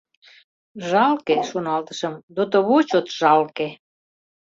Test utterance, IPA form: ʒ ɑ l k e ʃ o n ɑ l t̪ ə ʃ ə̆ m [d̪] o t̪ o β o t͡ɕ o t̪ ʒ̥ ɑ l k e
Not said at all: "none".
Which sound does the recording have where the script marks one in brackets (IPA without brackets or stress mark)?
d̪